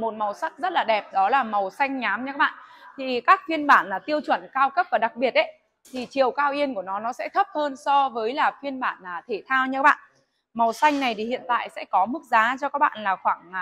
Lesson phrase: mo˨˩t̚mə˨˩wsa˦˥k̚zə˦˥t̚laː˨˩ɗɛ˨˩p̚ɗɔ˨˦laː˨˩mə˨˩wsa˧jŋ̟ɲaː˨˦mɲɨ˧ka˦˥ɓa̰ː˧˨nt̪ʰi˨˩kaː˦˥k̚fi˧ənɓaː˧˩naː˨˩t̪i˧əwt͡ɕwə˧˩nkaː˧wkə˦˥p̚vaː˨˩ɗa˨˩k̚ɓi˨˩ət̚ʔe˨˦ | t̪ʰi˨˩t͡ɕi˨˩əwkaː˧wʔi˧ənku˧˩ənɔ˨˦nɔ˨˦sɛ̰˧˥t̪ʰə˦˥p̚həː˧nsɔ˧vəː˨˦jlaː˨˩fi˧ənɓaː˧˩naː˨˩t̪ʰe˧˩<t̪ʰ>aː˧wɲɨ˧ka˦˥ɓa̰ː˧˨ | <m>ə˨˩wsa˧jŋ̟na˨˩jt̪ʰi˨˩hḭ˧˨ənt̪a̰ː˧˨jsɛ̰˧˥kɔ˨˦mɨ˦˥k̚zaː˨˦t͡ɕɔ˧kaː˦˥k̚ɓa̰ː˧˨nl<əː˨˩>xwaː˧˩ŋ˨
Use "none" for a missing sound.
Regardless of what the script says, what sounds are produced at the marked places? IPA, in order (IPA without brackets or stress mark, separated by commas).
t̪ʰ, m, aː˨˩